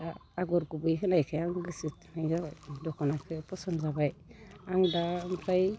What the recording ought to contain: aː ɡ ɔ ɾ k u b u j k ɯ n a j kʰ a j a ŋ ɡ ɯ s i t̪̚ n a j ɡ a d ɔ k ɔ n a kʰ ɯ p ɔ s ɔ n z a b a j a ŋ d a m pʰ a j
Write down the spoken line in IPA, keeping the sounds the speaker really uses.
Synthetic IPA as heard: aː ɡ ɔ ɾ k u b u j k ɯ n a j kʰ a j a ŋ ɡ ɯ s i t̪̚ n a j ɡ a d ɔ k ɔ n a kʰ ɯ p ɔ s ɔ n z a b a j a ŋ d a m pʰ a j